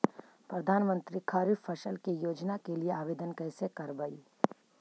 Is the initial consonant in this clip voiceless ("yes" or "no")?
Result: yes